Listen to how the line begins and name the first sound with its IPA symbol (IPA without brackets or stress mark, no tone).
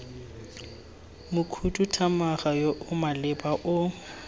m